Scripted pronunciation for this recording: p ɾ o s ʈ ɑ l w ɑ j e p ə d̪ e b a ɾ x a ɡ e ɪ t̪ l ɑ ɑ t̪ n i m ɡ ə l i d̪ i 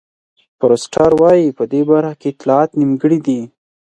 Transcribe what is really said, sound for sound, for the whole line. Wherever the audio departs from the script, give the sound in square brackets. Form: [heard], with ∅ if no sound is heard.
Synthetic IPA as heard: p ɾ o s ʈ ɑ [ɾ] w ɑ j [i] p ə d̪ e b a ɾ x a [k] e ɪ t̪ l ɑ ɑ t̪ n i m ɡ ə [ɽ] i d̪ i